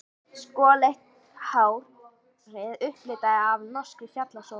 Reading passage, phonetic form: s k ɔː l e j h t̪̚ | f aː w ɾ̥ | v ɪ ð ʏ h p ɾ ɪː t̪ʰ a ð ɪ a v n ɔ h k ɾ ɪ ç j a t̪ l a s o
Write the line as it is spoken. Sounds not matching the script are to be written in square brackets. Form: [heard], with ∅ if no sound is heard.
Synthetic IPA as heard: s k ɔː l e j h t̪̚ | [h] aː w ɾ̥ | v ɪ ð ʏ h p [l] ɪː [t̪] a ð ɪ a v n ɔ [s] k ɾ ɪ ç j a t̪ l a s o